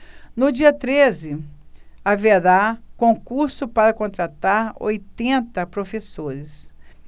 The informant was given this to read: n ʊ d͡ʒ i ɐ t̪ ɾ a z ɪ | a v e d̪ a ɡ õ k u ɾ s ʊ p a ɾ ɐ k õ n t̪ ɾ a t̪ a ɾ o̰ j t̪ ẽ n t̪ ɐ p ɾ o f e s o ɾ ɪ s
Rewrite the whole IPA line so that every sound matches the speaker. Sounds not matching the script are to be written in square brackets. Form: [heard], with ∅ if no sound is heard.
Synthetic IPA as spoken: n ʊ d͡ʒ i ɐ t̪ ɾ [e] z ɪ | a v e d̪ a [k] õ k u ɾ s ʊ p a ɾ ɐ k õ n t̪ ɾ a t̪ a ɾ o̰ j t̪ ẽ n t̪ ɐ p ɾ o f e s o ɾ ɪ s